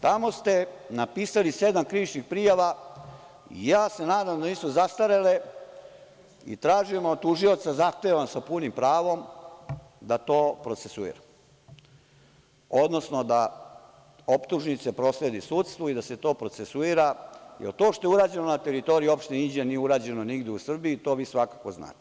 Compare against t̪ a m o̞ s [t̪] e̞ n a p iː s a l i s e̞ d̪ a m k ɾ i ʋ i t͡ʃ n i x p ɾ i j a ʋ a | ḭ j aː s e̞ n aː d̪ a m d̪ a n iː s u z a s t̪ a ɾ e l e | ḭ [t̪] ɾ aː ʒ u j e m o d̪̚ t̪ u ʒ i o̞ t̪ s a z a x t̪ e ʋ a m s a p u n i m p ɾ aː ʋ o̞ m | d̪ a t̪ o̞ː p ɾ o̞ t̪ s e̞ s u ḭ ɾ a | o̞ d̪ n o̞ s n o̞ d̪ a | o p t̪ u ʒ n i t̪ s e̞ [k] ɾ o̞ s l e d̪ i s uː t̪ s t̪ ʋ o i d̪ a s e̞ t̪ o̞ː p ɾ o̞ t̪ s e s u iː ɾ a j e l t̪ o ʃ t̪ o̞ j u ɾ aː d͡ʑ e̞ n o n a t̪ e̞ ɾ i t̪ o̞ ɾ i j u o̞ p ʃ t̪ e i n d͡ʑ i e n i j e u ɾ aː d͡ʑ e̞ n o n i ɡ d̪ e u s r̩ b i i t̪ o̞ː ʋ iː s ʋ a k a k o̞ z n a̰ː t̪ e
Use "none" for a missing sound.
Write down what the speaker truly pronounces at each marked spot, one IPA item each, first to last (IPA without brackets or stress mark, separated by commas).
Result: t̪, t̪, p